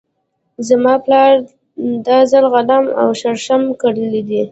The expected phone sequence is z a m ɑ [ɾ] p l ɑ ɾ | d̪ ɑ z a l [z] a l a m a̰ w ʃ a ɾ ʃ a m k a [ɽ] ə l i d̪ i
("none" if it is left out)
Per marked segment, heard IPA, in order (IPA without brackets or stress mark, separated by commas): none, ɣ, ɽ